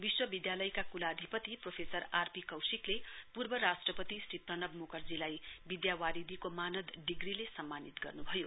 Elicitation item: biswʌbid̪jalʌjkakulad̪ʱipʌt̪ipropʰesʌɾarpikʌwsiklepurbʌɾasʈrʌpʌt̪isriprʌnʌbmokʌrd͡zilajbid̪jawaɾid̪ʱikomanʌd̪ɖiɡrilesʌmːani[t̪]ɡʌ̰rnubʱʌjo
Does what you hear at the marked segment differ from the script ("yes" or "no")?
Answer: no